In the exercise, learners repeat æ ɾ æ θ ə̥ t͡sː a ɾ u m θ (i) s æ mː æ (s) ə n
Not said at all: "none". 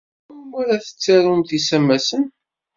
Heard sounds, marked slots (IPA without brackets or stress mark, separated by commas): i, s